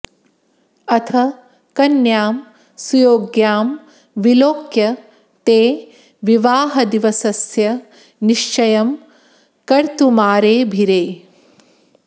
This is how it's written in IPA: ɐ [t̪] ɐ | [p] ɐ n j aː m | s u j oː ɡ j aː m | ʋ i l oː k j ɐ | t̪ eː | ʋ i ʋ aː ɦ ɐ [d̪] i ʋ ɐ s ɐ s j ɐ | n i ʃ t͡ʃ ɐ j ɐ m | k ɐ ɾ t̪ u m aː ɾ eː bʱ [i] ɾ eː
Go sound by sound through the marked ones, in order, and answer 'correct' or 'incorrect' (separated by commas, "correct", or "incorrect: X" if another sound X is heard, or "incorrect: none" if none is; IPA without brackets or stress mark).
incorrect: t̪ʰ, incorrect: k, correct, correct